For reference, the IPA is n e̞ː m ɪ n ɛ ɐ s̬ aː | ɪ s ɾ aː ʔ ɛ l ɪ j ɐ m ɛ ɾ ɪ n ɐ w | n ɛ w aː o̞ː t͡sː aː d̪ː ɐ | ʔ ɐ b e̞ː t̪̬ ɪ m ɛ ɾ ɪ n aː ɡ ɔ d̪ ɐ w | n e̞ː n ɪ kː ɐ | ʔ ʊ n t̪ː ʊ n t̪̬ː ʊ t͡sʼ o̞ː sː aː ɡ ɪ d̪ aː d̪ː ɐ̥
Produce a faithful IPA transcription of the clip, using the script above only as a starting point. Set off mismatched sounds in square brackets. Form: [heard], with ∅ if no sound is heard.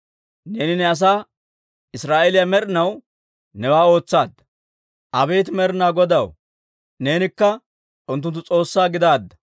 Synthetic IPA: n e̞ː [n] ɪ n ɛ ɐ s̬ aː | ɪ s ɾ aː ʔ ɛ l ɪ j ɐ m ɛ ɾ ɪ n ɐ w | n ɛ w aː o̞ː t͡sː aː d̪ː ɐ | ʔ ɐ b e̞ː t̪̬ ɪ m ɛ ɾ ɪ n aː ɡ ɔ d̪ ɐ w | n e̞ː n ɪ kː ɐ | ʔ ʊ n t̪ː ʊ n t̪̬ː ʊ t͡sʼ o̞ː sː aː ɡ ɪ d̪ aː d̪ː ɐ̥